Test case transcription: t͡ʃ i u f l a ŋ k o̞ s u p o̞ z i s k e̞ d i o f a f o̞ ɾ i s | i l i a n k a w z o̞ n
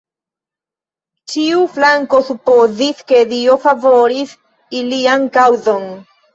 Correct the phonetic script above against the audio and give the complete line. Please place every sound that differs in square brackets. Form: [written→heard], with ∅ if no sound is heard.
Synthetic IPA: t͡ʃ i u f l a ŋ k o̞ s u p o̞ z i s k e̞ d i o f a [f→v] o̞ ɾ i s | i l i a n k a w z o̞ n